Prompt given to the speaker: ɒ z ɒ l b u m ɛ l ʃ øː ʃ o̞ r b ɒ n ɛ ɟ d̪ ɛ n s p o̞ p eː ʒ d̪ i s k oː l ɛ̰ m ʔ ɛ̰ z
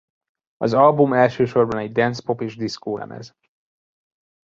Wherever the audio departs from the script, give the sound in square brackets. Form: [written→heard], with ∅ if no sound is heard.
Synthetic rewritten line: ɒ z ɒ l b u m ɛ l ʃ øː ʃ o̞ r b ɒ n ɛ ɟ d̪ ɛ n s p o̞ p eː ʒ d̪ i s k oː l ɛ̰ m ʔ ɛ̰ z